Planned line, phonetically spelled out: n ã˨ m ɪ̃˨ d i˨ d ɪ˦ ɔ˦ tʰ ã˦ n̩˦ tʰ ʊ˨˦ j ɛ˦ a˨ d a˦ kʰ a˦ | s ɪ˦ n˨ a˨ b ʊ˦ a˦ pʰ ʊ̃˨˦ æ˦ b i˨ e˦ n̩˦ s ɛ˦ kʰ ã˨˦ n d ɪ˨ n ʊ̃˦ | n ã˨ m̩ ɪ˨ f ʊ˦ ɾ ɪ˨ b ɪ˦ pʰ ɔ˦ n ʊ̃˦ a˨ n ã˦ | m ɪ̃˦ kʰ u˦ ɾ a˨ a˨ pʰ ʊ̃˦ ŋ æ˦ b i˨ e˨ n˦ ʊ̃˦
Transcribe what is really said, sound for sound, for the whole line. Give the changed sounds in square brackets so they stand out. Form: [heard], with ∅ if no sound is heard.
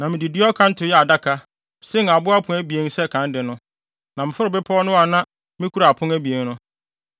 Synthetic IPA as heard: n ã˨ m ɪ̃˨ d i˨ d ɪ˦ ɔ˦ [kʰ] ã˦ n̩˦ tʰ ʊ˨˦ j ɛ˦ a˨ d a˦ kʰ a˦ | s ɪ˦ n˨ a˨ b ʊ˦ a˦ pʰ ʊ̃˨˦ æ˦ b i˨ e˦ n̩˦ s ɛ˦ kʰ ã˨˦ n d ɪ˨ n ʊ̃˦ | n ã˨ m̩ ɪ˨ f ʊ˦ ɾ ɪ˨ b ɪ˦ pʰ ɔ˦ n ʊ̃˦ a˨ n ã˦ | m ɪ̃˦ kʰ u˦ ɾ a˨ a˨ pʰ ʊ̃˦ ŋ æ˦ b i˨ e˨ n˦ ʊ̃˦